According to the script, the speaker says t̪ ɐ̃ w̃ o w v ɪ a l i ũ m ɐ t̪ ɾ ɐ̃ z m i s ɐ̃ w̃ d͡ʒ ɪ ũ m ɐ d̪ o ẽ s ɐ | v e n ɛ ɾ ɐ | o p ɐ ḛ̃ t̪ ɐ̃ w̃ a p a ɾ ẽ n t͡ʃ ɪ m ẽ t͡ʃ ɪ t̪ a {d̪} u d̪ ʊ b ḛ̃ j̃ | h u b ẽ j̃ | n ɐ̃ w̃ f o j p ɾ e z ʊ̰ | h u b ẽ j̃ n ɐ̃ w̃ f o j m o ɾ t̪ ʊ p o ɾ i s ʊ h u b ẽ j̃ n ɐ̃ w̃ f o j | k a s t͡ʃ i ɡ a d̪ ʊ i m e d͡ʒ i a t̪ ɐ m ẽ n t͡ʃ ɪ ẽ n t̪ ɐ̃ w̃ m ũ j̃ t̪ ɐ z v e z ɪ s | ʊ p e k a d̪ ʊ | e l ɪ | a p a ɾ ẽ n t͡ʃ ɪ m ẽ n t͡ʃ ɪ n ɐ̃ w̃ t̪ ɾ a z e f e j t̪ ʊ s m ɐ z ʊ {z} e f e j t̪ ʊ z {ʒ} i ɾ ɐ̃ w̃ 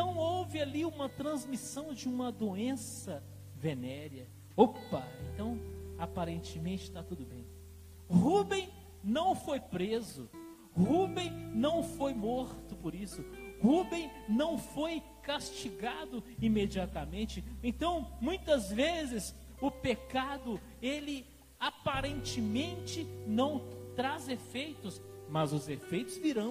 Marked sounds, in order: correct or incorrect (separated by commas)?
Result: incorrect, correct, incorrect